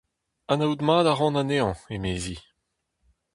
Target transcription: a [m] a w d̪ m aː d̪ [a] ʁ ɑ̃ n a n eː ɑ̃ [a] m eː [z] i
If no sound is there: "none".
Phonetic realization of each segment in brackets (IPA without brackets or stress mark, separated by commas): n, a, e, z